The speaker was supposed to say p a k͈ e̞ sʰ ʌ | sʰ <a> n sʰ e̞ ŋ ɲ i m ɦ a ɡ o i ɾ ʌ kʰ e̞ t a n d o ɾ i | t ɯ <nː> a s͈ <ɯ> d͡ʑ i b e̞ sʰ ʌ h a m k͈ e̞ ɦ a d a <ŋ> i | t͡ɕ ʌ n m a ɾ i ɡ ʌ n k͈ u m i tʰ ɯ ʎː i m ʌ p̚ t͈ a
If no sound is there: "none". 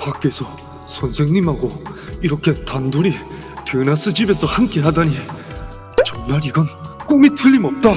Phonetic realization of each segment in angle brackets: ʌ, n, ɯ, ɲ

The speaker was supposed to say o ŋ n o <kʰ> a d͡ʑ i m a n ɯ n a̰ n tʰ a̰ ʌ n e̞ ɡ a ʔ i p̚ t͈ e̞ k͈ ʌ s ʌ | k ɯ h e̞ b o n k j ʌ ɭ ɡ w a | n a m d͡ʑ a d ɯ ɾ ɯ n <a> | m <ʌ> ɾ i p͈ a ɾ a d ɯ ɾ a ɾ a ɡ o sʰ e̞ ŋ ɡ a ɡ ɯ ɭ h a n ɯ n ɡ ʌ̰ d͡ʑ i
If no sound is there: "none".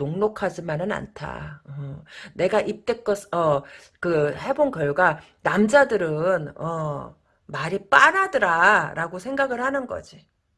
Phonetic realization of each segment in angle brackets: kʰ, ʌ, a

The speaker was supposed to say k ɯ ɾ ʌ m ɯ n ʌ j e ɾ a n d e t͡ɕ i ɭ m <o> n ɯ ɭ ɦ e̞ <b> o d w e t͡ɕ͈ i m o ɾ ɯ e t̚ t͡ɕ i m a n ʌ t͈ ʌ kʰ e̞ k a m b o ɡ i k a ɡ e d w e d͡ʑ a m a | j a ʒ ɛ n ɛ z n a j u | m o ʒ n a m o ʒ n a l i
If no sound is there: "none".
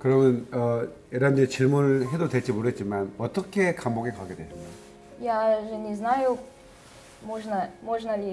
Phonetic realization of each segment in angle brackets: u, d

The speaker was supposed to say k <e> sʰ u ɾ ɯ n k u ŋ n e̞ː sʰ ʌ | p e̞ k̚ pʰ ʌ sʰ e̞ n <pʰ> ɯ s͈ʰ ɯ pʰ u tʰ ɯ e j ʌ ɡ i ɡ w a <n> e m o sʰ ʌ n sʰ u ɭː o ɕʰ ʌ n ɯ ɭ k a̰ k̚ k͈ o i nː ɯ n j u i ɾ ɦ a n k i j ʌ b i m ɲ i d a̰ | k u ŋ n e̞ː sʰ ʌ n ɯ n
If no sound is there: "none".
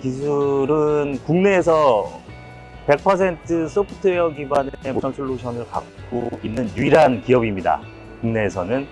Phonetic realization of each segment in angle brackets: i, tʰ, n

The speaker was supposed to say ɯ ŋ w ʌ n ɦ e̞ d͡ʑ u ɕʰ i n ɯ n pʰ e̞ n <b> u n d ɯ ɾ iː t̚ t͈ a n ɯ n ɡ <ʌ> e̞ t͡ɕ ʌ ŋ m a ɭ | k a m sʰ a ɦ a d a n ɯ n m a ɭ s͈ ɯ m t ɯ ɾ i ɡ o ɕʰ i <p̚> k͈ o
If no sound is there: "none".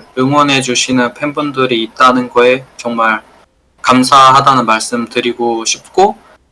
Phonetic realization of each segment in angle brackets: b, ʌ, p̚

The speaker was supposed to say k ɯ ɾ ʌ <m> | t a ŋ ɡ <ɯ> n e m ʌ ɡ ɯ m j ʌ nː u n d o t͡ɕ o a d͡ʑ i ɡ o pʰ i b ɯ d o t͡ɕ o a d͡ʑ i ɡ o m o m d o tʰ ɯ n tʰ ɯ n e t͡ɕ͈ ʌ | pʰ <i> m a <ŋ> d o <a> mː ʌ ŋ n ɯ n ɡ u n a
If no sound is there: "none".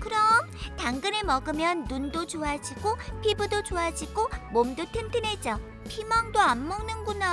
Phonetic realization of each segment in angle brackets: m, ɯ, i, ŋ, a

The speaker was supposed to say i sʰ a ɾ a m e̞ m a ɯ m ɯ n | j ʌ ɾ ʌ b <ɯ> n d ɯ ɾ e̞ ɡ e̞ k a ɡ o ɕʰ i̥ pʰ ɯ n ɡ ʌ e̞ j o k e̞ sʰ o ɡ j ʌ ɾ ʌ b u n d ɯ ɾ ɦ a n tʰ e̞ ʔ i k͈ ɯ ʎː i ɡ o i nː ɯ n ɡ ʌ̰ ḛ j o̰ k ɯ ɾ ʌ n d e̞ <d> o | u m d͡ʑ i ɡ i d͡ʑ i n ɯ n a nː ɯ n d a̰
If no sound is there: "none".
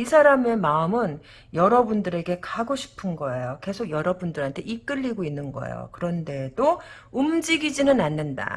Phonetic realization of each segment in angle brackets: u, d

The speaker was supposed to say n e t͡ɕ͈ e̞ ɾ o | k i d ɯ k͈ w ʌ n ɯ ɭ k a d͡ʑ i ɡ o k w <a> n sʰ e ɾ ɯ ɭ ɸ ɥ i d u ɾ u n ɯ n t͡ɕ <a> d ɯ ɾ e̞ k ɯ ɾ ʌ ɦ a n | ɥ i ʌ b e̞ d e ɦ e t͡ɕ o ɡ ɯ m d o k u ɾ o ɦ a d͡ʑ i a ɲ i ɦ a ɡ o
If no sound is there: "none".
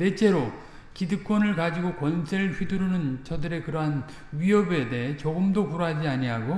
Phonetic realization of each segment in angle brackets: ʌ, ʌ

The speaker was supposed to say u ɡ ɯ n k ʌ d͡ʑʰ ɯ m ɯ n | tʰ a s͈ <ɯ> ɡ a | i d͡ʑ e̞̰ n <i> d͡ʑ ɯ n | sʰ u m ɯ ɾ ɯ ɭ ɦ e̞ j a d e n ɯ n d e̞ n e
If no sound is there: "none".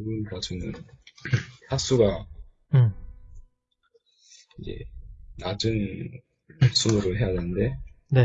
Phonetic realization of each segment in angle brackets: u, a

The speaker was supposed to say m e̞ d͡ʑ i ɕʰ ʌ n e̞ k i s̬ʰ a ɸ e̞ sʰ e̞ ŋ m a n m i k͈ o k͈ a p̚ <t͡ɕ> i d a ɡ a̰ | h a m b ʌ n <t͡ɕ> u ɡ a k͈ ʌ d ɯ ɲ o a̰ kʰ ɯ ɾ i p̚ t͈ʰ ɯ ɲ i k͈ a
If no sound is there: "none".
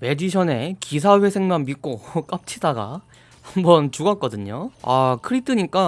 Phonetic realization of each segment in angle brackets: t͡ɕʰ, t͡ɕ

